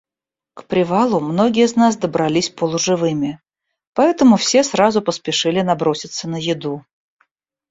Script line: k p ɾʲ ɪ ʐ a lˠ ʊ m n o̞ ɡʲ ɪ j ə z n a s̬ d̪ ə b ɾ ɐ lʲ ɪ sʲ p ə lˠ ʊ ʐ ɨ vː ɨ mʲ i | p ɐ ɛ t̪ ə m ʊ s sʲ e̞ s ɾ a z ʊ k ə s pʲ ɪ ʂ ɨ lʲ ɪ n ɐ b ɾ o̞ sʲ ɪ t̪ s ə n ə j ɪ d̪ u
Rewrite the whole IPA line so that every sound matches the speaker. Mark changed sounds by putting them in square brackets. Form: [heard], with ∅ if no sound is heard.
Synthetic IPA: k p ɾʲ ɪ [v] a lˠ ʊ m n o̞ ɡʲ ɪ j ə z n a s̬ d̪ ə b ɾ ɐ lʲ [i] sʲ p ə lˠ ʊ ʐ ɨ [v] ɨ mʲ [ɪ] | p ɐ ɛ t̪ ə m ʊ [f] sʲ e̞ s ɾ a z ʊ [p] ə s pʲ ɪ ʂ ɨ lʲ ɪ n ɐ b ɾ o̞ sʲ ɪ t̪ s ə n ə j ɪ d̪ u